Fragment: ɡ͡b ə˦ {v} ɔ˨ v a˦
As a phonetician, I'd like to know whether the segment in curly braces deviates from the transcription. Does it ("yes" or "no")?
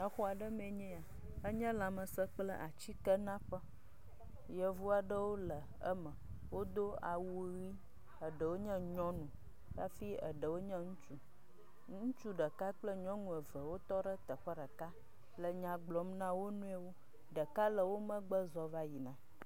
yes